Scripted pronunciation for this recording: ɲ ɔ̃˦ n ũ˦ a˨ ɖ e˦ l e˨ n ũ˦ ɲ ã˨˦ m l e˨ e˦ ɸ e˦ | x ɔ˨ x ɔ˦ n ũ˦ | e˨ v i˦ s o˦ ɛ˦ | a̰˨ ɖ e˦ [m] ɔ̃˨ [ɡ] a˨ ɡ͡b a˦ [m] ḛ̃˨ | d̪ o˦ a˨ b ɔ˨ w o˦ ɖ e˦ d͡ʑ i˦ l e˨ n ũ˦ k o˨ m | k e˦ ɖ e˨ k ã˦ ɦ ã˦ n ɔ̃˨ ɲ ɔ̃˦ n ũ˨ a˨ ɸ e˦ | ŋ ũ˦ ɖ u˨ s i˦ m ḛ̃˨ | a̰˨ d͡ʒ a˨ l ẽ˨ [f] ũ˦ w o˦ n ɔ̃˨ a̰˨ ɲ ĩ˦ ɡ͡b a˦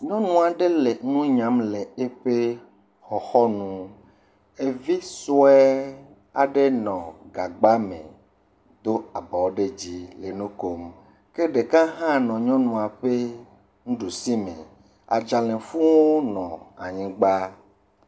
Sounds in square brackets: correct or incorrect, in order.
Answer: incorrect: n, correct, correct, correct

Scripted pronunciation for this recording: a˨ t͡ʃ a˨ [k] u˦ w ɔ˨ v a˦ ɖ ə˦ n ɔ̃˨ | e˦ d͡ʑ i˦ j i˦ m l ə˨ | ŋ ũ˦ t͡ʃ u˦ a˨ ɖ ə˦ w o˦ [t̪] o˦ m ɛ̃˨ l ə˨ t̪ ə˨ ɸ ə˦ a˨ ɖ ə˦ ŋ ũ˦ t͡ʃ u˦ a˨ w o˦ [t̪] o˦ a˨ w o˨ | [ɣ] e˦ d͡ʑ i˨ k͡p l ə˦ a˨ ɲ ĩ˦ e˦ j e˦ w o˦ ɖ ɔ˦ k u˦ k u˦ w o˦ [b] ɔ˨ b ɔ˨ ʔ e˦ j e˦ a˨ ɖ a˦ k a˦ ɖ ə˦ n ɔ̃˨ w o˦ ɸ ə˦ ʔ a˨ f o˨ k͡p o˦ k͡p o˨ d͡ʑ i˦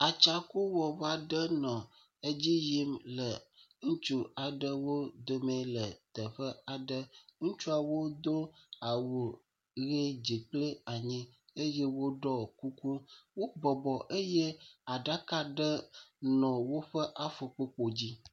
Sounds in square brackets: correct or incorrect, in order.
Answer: correct, incorrect: d̪, incorrect: d̪, correct, correct

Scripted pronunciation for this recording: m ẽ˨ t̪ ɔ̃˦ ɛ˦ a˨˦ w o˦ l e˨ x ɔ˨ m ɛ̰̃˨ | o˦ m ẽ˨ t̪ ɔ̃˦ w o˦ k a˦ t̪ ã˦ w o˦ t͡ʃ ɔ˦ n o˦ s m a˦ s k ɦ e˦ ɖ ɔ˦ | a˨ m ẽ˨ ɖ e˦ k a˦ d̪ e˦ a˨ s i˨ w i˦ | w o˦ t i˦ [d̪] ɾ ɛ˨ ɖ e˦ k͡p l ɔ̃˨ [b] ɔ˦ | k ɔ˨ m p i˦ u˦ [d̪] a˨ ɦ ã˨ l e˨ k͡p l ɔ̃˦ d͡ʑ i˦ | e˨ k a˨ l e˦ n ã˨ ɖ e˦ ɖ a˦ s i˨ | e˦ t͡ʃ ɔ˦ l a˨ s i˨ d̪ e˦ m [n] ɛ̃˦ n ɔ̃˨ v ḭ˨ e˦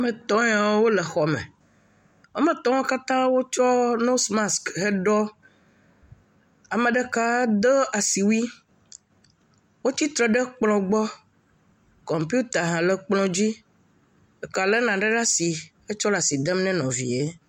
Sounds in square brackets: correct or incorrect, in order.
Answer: incorrect: t̪, incorrect: ɡ͡b, incorrect: t̪, correct

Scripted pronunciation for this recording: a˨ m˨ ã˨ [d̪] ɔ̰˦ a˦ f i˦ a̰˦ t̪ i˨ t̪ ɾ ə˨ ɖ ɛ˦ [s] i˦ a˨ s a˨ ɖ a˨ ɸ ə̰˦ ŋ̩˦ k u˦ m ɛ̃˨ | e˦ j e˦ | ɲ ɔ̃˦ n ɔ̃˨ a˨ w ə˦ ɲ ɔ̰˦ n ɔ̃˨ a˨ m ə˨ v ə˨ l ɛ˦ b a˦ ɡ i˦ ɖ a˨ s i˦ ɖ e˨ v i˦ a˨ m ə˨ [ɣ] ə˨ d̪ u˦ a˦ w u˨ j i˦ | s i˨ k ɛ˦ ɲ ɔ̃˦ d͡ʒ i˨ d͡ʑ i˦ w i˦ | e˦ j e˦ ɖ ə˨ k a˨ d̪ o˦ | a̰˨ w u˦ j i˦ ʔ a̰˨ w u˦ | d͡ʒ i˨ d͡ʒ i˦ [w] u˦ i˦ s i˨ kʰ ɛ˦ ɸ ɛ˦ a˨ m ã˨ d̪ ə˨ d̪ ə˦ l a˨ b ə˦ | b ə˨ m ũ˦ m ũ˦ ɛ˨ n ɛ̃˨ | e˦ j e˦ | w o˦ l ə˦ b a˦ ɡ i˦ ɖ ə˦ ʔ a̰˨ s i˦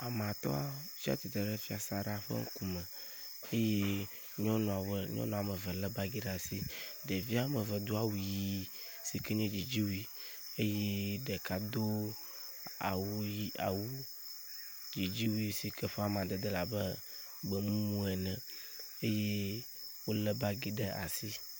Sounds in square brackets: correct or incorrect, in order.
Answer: incorrect: t̪, incorrect: f, incorrect: v, correct

